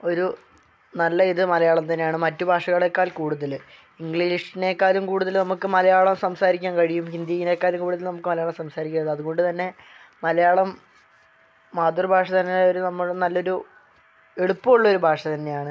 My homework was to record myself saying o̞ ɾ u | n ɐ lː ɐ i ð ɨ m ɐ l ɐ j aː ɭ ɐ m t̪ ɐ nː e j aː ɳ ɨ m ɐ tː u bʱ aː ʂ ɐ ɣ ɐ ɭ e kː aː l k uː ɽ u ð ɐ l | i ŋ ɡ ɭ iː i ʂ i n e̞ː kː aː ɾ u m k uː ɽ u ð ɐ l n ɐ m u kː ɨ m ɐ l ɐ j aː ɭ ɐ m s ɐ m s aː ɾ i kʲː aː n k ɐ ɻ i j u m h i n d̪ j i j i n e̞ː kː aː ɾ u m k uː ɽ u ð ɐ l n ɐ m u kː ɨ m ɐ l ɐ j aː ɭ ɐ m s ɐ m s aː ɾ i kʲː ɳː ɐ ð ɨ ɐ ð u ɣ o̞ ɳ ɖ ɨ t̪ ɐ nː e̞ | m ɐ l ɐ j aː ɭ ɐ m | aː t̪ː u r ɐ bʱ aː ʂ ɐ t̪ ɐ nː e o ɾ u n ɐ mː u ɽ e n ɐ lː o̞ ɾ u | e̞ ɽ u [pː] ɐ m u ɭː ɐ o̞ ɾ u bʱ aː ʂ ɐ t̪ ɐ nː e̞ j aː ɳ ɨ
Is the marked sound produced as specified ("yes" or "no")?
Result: yes